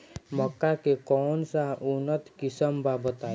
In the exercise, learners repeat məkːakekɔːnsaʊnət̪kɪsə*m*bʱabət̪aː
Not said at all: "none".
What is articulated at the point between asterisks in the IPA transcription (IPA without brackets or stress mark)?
m